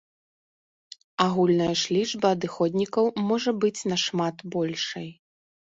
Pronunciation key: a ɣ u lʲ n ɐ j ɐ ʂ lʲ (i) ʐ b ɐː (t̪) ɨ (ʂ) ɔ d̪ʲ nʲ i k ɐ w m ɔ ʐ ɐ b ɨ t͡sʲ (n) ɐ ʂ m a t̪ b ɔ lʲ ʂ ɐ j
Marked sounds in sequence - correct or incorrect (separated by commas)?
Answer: correct, incorrect, incorrect, correct